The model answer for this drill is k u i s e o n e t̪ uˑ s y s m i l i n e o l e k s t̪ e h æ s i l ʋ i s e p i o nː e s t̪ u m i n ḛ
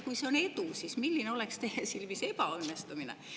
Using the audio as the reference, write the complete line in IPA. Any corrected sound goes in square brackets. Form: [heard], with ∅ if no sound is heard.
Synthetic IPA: k u i s e o n e t̪ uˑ s [i] s m i [lː] i n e o l e k s t̪ e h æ s i l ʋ i s e p [æ] o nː e s t̪ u m i n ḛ